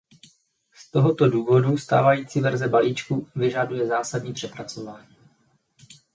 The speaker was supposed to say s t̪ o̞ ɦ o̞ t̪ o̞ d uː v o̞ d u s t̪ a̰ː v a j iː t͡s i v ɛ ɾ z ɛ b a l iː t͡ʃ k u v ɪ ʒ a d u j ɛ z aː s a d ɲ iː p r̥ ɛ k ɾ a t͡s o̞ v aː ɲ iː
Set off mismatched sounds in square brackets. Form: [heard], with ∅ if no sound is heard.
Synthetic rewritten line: s t̪ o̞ ɦ o̞ t̪ o̞ d uː v o̞ d u s t̪ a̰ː v a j iː t͡s i v ɛ ɾ z ɛ b a l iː t͡ʃ k u v ɪ ʒ a d u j ɛ z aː s a d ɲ iː p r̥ ɛ [p] ɾ a t͡s o̞ v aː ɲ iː

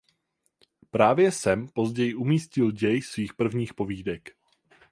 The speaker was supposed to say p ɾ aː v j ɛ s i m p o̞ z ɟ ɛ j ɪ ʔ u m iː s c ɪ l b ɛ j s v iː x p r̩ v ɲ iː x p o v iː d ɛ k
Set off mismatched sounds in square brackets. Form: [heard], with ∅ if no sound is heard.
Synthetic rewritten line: p ɾ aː v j ɛ s [ɛ] m p o̞ z ɟ ɛ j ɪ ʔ u m iː s c ɪ l [ɟ] ɛ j s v iː x p r̩ v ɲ iː x p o v iː d ɛ k

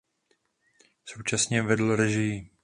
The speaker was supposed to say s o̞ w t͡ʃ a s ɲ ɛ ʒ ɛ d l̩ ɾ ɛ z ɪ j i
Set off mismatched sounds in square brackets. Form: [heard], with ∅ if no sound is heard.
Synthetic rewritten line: s o̞ w t͡ʃ a s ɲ ɛ [v] ɛ d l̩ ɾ ɛ [ʒ] ɪ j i

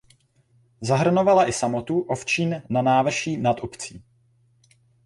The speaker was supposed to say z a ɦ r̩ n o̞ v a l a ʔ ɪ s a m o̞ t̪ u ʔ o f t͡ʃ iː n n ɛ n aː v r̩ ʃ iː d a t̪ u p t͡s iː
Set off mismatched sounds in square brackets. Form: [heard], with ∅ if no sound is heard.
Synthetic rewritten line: z a ɦ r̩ n o̞ v a l a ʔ ɪ s a m o̞ t̪ u ʔ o f t͡ʃ iː n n [a] n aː v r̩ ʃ iː [n] a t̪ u p t͡s iː

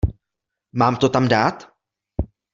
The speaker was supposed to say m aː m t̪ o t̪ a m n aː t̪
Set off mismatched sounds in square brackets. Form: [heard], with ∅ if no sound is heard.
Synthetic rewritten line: m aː m t̪ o t̪ a m [d] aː t̪

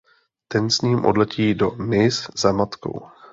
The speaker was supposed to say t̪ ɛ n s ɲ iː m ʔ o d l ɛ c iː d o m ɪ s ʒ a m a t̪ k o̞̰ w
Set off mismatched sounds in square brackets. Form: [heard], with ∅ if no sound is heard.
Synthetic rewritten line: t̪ ɛ n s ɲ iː m ʔ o d l ɛ c iː d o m ɪ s [z] a m a t̪ k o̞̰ w

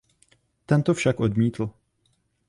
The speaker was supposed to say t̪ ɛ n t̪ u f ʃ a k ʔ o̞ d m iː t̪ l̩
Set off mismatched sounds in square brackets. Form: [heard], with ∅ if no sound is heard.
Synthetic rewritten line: t̪ ɛ n t̪ [o] f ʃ a k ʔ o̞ d m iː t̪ l̩

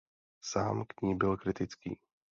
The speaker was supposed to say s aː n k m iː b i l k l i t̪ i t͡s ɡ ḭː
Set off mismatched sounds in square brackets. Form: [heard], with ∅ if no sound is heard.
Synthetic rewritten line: s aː [m] k [ɲ] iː b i l k [ɾ] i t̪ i t͡s [k] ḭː

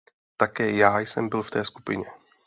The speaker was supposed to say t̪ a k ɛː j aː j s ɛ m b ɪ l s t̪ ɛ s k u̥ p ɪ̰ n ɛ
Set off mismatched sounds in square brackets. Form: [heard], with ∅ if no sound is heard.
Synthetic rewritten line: t̪ a k ɛː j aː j s ɛ m b ɪ l [f] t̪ [ɛː] s k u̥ p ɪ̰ [ɲ] ɛ

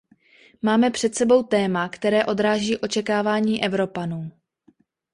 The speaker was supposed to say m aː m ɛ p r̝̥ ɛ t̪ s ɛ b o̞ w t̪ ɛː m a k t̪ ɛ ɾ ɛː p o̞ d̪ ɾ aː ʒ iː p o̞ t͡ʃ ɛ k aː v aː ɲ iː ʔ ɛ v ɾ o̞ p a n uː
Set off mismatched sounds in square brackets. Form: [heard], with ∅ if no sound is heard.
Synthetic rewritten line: m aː m ɛ p r̝̥ ɛ t̪ s ɛ b o̞ w t̪ ɛː m a k t̪ ɛ ɾ ɛː [ʔ] o̞ d̪ ɾ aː ʒ iː [ʔ] o̞ t͡ʃ ɛ k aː v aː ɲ iː ʔ ɛ v ɾ o̞ p a n uː

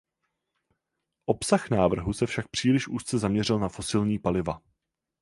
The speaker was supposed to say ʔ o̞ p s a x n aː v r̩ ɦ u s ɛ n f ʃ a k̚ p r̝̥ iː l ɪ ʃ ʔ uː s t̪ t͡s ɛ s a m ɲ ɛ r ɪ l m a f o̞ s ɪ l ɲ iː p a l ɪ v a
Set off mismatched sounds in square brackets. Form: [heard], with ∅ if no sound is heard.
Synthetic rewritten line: ʔ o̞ p s a x n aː v r̩ ɦ u s ɛ [∅] f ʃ a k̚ p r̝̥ iː l ɪ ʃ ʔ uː s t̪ t͡s ɛ [z] a m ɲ ɛ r ɪ l [n] a f o̞ s ɪ l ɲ iː p a l ɪ v a

